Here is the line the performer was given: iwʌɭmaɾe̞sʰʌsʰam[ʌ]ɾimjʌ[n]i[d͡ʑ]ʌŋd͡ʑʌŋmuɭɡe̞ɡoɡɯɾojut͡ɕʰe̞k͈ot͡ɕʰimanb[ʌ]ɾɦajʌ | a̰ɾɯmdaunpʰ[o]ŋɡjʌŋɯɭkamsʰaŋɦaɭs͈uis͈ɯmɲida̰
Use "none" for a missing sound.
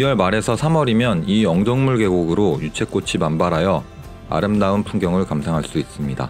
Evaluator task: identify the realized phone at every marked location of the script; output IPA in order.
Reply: ʌ, n, none, a, u

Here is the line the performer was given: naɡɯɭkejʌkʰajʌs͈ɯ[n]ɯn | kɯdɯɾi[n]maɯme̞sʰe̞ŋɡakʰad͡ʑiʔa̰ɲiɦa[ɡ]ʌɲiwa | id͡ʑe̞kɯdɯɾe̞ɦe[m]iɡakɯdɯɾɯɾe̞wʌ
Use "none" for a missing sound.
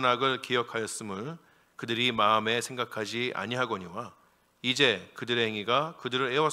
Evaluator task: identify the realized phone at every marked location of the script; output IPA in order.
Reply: m, none, ɡ, ŋ

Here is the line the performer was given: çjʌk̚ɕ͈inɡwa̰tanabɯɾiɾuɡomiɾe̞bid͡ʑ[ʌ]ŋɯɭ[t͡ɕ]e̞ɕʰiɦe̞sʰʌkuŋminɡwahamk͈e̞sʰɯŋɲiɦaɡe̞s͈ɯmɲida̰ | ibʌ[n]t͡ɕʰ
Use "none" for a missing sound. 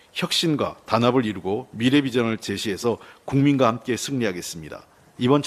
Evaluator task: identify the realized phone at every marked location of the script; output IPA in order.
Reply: ʌ, t͡ɕ, n

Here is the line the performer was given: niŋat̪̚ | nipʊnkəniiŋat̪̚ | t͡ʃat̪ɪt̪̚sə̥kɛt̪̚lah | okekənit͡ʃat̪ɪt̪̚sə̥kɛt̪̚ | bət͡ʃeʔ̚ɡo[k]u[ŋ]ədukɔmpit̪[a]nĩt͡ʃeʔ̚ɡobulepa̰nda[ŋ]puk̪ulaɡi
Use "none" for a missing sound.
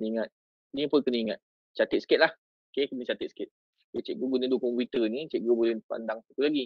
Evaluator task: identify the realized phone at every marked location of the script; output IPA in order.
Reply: ɡ, n, ə, ŋ

